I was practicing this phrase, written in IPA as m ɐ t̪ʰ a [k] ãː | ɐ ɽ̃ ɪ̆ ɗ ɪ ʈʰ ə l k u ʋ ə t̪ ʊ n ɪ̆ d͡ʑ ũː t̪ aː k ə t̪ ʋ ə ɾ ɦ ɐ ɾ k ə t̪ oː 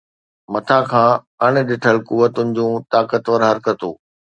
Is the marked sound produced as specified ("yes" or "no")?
no